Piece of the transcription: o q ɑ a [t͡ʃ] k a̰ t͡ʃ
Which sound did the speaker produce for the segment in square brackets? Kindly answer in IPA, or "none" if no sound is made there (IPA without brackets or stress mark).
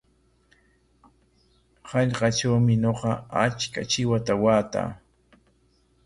t͡ʃ